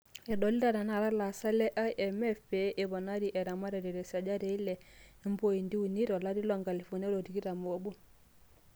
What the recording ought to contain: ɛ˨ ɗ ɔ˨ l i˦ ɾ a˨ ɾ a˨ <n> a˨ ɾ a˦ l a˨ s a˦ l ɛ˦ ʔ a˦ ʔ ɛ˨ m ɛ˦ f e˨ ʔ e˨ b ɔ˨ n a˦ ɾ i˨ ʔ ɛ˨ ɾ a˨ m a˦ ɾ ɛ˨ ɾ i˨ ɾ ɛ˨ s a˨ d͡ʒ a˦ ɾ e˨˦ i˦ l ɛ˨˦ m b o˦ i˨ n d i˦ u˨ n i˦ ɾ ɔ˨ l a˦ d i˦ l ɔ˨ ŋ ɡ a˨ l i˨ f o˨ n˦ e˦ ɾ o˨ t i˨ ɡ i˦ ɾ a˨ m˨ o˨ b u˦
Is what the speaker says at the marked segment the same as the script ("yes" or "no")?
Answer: yes